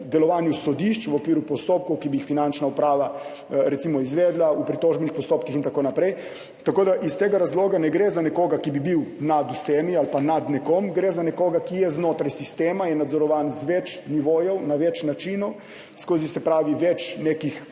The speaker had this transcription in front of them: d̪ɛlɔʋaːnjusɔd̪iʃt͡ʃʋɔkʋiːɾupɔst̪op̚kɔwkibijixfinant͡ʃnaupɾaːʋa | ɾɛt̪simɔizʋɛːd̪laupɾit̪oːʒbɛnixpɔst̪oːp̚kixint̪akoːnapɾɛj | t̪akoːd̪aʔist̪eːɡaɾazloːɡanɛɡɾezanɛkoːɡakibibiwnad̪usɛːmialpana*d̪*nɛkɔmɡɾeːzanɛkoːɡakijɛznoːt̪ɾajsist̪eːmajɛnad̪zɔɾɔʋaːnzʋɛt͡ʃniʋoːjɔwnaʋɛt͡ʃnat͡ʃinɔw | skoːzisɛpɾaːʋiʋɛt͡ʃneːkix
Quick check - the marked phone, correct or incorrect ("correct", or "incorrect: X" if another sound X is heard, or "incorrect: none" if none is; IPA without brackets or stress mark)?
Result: correct